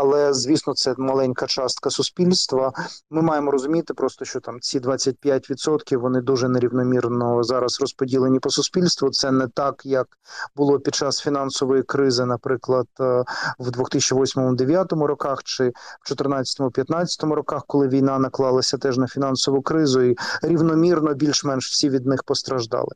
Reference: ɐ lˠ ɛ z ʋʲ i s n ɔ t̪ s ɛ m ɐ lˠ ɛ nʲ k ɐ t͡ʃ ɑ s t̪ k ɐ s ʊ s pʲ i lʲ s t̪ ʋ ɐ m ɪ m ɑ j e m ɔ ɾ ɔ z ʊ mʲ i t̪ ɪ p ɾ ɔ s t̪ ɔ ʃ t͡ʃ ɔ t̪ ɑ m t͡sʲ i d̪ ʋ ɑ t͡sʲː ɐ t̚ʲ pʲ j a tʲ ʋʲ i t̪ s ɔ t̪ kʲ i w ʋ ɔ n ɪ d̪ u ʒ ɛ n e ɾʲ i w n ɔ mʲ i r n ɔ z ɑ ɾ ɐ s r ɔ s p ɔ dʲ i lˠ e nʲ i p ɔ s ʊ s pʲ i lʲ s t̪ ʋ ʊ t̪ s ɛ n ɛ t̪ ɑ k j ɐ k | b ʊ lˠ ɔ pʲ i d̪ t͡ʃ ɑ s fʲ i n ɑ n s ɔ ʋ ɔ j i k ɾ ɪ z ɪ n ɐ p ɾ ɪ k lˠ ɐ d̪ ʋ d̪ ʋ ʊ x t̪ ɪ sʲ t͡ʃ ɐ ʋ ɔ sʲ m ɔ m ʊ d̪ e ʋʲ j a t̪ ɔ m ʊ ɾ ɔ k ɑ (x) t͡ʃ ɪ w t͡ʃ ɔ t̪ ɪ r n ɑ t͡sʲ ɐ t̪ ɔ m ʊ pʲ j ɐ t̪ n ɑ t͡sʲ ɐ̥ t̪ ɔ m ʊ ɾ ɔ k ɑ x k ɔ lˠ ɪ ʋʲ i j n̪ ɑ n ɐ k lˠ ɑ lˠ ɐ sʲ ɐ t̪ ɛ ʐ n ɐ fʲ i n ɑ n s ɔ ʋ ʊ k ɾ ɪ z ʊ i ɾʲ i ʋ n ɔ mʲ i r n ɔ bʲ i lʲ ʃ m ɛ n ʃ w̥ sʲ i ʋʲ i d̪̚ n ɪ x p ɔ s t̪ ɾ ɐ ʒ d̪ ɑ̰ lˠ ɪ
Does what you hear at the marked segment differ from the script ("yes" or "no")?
no